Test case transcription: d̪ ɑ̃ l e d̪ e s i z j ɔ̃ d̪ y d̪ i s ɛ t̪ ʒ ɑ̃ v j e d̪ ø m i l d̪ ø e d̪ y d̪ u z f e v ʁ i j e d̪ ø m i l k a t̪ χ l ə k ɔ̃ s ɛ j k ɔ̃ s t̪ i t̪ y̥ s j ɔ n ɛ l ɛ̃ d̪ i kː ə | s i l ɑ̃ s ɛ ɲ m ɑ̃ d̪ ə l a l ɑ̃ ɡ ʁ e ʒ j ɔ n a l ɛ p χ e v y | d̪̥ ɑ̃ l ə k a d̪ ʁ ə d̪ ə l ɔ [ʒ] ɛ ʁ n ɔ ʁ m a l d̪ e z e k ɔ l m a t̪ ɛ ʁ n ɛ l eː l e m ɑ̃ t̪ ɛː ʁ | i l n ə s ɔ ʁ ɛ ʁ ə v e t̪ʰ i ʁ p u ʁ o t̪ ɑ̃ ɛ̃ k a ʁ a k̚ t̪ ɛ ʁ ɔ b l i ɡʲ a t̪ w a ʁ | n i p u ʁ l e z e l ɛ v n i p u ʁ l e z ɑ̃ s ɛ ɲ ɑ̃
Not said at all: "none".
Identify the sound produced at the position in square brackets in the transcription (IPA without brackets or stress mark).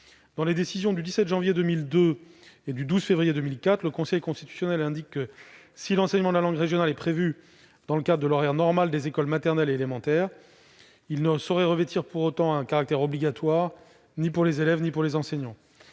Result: ʁ